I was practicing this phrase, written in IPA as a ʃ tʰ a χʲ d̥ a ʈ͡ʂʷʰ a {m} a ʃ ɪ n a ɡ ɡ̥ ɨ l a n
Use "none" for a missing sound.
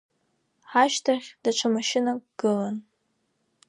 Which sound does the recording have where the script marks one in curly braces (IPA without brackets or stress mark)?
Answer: m